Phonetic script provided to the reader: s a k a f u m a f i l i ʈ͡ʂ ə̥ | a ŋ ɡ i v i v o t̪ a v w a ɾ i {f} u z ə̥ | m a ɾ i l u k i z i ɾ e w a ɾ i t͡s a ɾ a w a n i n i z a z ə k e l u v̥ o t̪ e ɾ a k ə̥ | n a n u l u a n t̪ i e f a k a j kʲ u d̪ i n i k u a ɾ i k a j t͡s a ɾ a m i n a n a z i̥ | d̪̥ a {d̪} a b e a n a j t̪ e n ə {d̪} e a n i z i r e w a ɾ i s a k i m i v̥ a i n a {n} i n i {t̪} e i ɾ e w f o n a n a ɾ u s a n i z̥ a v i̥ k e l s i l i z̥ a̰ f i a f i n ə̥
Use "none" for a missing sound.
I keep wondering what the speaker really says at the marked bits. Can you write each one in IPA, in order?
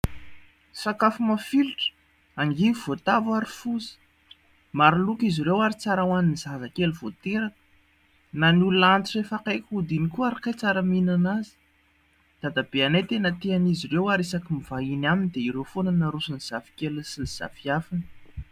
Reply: f, d̪, t̪, m, d̪

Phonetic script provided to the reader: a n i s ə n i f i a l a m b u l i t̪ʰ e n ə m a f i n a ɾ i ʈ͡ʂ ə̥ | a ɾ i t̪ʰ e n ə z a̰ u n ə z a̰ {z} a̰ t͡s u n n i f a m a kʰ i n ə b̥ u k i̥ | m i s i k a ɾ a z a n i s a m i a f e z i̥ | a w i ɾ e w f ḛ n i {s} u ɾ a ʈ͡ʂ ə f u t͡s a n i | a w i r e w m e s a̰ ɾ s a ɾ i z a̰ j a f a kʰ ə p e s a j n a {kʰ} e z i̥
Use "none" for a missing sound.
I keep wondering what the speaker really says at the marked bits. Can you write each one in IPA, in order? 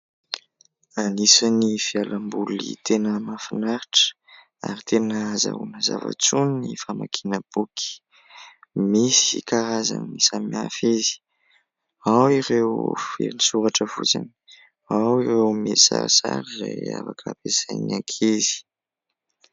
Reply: v, s, kʰ

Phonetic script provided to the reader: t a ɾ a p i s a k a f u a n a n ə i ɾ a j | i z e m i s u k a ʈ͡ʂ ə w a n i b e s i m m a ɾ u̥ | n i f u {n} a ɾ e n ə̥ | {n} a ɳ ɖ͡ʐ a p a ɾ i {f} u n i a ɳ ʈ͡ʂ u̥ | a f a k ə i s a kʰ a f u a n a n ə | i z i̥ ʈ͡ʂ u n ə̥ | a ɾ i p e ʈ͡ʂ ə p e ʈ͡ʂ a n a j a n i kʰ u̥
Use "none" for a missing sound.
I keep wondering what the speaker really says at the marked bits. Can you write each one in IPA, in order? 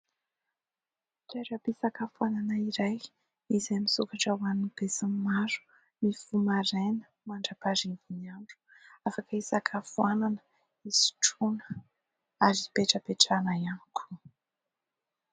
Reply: m, m, v

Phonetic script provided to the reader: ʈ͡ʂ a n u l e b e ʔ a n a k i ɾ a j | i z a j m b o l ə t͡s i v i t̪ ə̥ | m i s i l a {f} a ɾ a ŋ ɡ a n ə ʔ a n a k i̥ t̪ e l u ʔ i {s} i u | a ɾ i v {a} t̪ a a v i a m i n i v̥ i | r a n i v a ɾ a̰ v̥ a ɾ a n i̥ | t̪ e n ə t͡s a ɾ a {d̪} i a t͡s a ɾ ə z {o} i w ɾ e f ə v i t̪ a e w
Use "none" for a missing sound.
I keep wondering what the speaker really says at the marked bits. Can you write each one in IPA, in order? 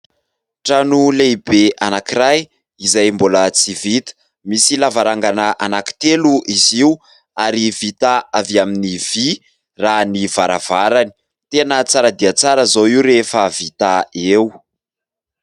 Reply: v, z, i, d̪, o

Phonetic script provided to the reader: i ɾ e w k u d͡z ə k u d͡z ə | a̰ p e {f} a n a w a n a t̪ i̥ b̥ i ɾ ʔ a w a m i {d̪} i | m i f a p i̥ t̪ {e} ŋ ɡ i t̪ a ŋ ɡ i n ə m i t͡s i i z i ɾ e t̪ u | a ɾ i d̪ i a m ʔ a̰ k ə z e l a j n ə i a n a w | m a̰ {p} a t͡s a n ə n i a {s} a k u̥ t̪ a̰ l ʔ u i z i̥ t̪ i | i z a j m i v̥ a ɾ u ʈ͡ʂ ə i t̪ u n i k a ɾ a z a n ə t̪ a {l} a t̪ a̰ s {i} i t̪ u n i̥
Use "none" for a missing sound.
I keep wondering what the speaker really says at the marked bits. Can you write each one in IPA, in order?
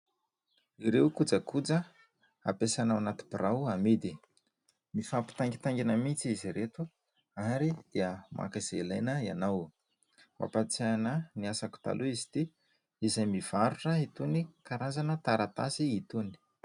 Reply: s, d̪, a, p, s, ɾ, i

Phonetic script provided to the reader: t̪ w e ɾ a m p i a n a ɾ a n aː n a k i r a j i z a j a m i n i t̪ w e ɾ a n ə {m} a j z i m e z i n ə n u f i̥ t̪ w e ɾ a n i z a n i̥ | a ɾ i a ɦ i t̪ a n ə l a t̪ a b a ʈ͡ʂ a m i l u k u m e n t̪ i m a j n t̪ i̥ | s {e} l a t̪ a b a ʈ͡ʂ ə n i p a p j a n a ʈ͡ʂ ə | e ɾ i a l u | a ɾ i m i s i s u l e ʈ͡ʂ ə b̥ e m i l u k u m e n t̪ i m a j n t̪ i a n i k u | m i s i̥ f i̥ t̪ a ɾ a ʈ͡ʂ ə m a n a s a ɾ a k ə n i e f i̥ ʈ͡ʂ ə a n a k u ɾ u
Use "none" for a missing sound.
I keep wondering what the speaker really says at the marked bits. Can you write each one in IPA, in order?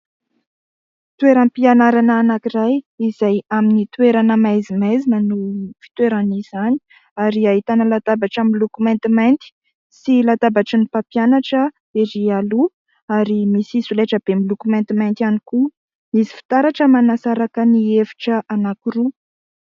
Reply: m, i

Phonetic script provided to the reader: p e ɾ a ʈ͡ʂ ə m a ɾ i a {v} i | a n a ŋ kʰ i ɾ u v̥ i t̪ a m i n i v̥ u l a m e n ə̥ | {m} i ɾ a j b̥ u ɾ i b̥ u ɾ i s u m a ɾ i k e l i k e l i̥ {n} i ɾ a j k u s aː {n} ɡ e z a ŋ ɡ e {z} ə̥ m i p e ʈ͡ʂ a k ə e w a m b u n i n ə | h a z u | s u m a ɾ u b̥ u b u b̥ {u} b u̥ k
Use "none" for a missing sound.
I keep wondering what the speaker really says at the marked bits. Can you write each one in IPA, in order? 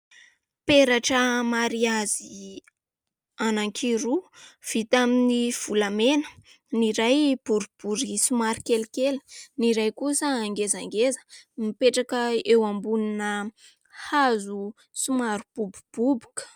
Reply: z, n, n, ŋ, z, u

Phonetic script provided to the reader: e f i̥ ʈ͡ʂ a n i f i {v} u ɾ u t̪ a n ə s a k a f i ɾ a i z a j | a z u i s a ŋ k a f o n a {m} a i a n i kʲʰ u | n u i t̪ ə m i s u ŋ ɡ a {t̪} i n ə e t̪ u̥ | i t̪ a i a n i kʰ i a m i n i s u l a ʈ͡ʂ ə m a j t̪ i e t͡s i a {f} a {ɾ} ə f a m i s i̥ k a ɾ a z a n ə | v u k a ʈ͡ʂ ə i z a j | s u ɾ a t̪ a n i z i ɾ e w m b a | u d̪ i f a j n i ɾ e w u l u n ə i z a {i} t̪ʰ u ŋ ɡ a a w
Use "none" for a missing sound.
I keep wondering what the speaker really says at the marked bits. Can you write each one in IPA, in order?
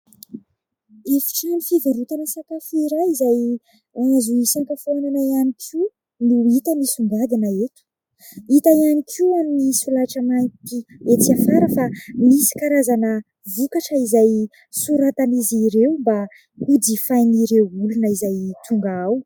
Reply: v, n, d̪, f, ɾ, j

